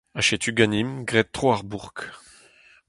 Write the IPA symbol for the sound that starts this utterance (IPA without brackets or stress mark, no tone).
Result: a